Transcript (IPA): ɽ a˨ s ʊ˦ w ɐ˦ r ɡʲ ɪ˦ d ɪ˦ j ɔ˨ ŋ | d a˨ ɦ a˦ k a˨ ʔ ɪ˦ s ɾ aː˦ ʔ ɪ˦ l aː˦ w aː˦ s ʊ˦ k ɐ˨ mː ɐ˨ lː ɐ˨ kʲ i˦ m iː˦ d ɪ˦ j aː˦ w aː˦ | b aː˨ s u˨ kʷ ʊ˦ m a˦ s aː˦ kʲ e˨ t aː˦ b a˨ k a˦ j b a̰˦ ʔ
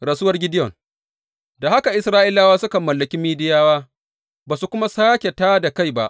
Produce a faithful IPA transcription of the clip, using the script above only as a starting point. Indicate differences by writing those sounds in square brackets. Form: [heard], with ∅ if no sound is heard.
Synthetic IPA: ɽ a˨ s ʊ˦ w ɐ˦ r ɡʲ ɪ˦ d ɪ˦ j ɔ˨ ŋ | d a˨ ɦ a˦ k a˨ ʔ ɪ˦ s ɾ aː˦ ʔ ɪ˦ l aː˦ w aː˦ s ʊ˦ k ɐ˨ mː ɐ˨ lː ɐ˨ kʲ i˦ m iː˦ d ɪ˦ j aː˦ w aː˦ | b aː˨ s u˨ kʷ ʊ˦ m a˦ s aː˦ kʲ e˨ t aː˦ [d] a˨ k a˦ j b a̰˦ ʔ